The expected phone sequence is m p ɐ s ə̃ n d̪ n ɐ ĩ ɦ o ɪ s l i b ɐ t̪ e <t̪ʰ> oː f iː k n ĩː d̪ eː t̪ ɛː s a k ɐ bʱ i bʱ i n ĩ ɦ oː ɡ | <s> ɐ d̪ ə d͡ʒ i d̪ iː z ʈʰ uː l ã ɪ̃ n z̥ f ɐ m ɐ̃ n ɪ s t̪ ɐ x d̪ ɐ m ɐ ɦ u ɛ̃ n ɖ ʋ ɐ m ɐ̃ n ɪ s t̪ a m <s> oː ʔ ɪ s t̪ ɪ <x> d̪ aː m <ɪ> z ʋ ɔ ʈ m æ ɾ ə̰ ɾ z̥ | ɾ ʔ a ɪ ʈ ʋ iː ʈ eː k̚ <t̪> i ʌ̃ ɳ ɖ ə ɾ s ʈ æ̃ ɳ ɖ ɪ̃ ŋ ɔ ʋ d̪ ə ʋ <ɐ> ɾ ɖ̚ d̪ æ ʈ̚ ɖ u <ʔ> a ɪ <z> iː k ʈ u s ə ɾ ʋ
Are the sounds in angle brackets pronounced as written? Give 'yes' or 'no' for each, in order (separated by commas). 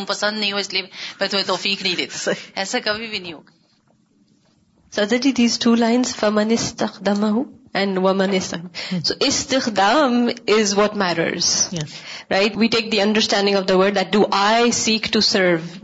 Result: no, yes, yes, yes, yes, no, no, yes, no